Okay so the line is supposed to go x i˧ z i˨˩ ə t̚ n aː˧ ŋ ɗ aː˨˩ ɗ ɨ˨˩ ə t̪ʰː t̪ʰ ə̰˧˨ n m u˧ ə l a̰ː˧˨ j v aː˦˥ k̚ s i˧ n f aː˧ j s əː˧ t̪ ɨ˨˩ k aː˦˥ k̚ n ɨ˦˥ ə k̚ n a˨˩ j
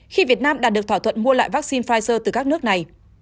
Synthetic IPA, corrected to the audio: x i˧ v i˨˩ ə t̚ n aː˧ m ɗ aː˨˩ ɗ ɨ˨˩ ə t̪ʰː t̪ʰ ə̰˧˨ n m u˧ ə l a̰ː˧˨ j v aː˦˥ k̚ s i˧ n f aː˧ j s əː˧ t̪ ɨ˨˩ k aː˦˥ k̚ n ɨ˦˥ ə k̚ n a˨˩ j